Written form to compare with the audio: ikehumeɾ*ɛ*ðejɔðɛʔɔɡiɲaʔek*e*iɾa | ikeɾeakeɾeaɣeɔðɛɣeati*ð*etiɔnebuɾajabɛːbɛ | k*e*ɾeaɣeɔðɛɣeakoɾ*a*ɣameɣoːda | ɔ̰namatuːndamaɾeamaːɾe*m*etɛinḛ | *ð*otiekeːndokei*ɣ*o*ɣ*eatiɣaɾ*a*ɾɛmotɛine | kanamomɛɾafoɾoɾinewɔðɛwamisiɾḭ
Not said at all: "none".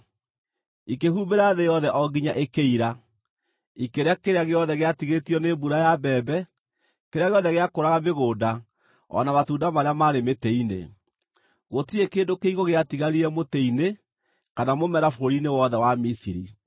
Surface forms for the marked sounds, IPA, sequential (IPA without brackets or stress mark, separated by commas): a, e, ɣ, e, a, m, ɣ, ɣ, ɣ, i